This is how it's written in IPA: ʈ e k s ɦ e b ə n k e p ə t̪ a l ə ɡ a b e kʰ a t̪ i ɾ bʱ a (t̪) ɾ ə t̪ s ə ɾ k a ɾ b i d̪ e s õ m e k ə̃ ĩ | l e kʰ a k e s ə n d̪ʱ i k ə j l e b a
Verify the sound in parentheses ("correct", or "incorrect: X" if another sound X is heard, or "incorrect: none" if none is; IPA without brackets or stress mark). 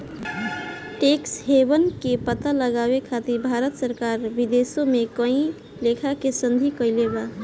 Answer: incorrect: none